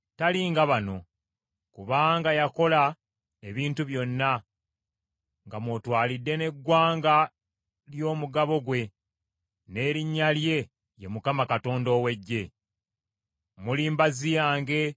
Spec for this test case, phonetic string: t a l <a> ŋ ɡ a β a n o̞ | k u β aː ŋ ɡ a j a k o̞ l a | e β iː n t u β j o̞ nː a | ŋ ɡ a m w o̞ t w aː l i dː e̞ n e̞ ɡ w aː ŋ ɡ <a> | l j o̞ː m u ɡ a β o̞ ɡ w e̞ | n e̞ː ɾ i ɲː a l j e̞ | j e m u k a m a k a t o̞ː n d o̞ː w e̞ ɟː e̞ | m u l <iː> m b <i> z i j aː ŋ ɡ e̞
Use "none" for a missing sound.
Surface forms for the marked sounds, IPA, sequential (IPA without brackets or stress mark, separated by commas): i, a, iː, a